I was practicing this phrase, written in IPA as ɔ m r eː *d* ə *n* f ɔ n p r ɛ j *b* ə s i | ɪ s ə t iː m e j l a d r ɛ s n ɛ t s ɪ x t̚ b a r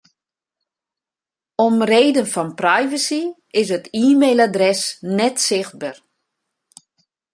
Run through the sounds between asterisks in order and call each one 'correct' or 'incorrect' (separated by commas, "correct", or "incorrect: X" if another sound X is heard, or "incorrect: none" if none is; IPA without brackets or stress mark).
correct, correct, incorrect: v